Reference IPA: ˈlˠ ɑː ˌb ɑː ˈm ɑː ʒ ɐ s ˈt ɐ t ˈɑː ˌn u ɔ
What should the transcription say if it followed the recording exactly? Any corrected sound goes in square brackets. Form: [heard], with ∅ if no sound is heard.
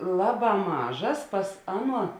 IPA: ˈlˠ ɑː ˌb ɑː ˈm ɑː ʒ ɐ s [ˈp] ɐ [s] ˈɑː ˌn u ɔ